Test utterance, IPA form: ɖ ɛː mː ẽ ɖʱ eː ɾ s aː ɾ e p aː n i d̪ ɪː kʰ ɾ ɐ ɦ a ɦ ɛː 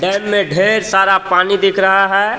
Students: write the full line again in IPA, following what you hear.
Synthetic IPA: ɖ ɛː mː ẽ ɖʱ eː ɾ s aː ɾ a p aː n i d̪ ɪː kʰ ɾ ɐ ɦ a ɦ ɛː

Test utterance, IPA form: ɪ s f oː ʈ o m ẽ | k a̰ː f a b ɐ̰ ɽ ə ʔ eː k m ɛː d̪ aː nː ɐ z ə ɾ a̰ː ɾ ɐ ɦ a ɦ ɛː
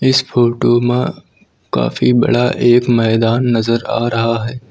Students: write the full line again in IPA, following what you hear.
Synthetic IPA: ɪ s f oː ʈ o m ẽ | k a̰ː f i b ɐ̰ ɽ a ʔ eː k m ɛː d̪ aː nː ɐ z ə ɾ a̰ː ɾ ɐ ɦ a ɦ ɛː

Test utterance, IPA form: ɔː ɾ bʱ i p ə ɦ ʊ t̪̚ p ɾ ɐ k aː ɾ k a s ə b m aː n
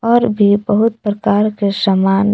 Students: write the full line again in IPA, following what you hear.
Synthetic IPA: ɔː ɾ bʱ i b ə ɦ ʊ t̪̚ p ɾ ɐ k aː ɾ k e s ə m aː n

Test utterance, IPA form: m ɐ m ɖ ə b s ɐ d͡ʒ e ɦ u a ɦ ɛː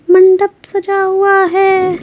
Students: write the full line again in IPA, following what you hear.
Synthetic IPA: m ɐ ɳ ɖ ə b s ɐ d͡ʒ a ɦ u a ɦ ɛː

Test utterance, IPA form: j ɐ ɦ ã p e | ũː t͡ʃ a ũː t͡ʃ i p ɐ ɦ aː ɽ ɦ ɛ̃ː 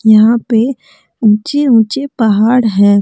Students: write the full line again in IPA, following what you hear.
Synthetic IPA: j ɐ ɦ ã p e | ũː t͡ʃ e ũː t͡ʃ e p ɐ ɦ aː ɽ ɦ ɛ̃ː

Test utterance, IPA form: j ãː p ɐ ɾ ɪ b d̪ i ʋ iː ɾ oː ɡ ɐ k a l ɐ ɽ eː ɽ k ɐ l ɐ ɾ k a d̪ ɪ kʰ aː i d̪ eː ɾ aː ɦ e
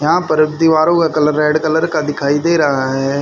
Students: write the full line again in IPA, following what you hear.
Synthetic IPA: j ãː p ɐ ɾ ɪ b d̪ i ʋ aː ɾ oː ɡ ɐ k ɐ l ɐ ɾ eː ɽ k ɐ l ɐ ɾ k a d̪ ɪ kʰ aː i d̪ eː ɾ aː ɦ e

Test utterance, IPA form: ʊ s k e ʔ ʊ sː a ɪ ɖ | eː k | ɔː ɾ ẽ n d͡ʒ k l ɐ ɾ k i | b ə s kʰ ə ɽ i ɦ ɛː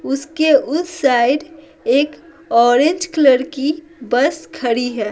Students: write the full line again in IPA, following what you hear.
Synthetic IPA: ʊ s k e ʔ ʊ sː a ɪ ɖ | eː k | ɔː ɾ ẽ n d͡ʒ k l ə ɾ k i | b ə s kʰ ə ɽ i ɦ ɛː

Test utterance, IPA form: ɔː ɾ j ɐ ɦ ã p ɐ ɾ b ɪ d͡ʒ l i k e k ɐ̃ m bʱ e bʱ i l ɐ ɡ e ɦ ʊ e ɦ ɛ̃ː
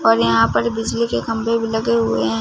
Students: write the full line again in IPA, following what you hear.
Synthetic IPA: ɔː ɾ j ɐ ɦ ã p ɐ ɾ b ɪ d͡ʒ l i k e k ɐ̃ m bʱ e bʱ i l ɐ ɡ e ɦ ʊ e ɦ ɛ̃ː

